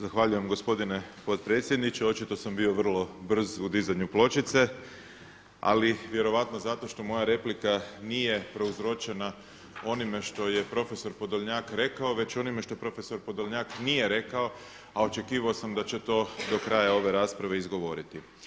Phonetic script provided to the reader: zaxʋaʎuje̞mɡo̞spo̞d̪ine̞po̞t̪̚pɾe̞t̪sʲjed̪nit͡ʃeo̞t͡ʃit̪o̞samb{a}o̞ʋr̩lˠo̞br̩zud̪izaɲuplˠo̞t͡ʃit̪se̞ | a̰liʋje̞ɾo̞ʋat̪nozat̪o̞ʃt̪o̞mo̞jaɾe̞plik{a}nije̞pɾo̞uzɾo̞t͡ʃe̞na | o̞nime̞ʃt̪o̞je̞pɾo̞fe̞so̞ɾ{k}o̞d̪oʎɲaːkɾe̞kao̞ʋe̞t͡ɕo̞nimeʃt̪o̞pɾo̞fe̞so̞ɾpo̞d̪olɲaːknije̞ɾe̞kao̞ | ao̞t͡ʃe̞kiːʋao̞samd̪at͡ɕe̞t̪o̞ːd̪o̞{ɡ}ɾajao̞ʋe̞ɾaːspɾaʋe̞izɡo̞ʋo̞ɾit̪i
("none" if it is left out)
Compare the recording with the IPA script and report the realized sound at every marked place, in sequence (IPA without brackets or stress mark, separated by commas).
i, a, p, k